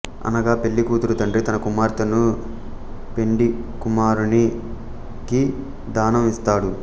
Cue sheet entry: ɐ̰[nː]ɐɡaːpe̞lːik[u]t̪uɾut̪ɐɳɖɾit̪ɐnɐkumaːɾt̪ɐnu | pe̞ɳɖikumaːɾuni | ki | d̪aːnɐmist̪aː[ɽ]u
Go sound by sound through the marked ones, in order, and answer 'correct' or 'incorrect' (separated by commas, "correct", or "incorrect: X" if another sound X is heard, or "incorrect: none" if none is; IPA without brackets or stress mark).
incorrect: n, incorrect: uː, correct